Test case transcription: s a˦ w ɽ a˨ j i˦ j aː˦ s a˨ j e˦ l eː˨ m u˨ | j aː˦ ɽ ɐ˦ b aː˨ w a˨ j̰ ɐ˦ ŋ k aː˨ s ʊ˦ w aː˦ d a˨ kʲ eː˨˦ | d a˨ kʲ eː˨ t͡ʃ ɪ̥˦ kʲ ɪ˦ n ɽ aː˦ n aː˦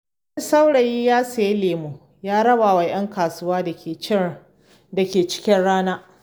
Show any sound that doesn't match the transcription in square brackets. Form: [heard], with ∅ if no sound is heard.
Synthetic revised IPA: s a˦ w ɽ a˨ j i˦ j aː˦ s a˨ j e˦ l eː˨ m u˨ | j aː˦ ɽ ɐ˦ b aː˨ w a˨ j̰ ɐ˦ ŋ k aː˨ s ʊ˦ w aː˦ d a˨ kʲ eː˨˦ | d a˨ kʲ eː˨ t͡ʃ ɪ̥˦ kʲ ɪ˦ n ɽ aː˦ n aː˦